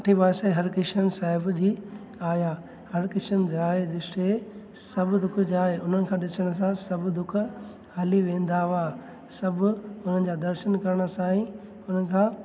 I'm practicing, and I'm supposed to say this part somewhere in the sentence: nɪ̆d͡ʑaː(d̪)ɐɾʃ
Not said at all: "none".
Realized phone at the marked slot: d̪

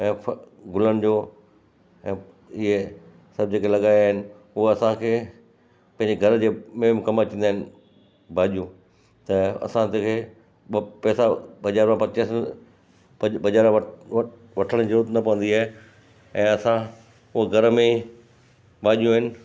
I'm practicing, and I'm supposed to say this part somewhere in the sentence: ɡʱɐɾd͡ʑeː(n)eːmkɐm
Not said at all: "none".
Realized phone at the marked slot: m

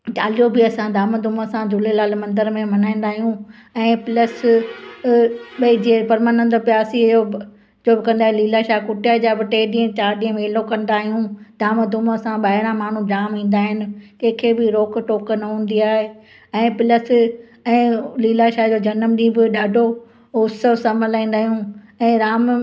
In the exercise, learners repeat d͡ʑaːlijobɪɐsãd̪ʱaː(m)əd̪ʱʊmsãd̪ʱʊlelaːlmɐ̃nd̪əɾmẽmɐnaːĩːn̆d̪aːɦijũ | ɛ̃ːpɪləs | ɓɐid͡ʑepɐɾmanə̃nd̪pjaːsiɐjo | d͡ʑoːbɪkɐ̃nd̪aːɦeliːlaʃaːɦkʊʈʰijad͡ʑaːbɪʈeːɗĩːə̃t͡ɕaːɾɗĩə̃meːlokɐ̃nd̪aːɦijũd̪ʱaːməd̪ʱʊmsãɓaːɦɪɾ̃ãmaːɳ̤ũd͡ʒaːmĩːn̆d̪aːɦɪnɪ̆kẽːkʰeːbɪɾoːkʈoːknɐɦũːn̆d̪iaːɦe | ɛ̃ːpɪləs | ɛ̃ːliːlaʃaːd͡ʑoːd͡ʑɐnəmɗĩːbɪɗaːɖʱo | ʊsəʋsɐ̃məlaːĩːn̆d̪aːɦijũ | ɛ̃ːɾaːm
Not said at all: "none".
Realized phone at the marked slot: m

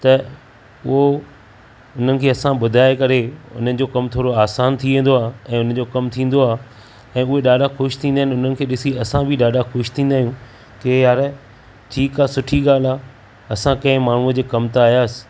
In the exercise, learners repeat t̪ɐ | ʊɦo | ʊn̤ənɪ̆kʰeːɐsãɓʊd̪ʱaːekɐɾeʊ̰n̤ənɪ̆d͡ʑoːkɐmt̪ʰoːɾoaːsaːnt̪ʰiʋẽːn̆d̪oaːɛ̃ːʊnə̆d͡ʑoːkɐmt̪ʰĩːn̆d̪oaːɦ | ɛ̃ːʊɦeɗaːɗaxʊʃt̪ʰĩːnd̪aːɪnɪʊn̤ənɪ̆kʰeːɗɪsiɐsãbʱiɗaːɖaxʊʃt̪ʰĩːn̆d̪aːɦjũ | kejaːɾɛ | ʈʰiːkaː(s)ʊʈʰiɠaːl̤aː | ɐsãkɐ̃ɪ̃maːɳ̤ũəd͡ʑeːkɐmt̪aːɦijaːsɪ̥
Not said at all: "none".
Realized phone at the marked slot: s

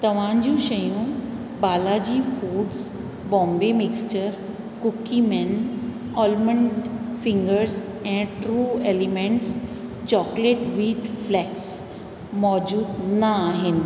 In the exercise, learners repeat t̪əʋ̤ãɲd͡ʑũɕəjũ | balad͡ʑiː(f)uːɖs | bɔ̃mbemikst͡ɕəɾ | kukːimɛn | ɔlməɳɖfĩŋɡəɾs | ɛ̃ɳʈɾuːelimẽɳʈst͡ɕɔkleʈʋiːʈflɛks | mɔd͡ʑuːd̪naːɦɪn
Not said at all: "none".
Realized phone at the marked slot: f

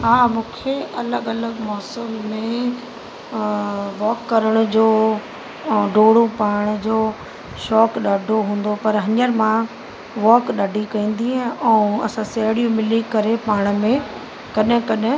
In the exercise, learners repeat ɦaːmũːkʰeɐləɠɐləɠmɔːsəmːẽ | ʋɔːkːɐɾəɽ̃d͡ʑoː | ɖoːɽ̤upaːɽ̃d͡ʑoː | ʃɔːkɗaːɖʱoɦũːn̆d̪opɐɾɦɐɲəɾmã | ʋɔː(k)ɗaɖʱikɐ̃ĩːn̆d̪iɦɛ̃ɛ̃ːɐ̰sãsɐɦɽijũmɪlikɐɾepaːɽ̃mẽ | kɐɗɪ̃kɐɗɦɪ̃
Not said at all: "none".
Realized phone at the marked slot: k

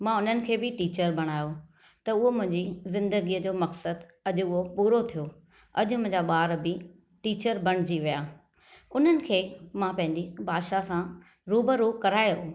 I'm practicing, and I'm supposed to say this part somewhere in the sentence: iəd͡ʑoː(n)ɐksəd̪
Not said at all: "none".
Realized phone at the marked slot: m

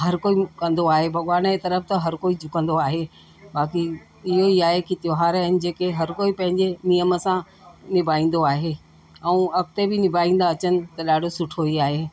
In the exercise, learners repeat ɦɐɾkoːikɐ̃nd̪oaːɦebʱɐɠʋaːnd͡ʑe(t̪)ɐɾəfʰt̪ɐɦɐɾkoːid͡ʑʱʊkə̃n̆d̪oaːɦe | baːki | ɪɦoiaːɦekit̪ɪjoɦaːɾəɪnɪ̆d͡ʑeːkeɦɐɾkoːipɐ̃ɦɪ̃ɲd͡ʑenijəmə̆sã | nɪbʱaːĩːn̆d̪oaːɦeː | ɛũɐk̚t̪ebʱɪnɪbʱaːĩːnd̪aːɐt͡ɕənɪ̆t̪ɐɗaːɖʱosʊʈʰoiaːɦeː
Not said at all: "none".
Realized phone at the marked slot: t̪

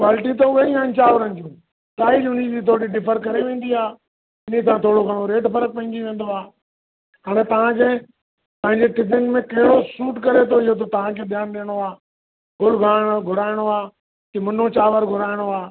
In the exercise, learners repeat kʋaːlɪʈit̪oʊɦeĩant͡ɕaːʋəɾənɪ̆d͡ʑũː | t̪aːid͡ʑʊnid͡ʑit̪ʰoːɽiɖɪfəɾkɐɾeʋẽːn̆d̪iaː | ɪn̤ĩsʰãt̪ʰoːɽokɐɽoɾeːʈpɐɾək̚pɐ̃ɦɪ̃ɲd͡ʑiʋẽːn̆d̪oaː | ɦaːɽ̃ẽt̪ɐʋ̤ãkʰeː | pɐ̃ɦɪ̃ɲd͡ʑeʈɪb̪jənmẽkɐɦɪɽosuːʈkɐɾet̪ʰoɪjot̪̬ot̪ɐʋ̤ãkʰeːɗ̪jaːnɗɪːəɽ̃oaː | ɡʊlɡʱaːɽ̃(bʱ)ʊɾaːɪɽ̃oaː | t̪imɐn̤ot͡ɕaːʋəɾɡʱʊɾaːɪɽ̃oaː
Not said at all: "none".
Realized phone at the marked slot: ɡʱ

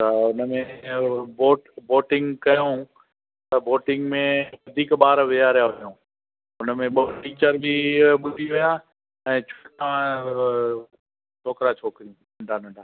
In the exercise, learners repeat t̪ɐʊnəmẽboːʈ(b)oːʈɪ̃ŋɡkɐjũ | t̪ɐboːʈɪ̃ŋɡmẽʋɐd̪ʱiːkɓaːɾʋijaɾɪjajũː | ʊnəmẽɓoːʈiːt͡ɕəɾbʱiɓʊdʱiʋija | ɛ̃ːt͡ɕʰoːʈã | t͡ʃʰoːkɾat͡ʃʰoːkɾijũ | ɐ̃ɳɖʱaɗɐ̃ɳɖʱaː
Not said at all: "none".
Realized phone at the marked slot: b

